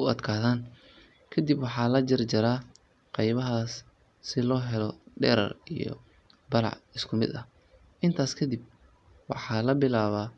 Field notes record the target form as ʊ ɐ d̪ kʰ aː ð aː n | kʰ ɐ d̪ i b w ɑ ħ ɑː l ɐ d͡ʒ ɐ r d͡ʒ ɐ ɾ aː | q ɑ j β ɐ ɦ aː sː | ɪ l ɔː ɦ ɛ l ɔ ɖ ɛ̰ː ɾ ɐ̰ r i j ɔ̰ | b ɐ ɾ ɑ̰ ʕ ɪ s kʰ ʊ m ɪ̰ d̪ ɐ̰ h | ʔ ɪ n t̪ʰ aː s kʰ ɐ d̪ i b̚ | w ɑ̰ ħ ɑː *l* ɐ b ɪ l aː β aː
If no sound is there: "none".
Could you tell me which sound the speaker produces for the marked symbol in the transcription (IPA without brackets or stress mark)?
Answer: l